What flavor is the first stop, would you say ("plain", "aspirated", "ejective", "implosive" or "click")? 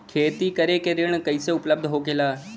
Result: aspirated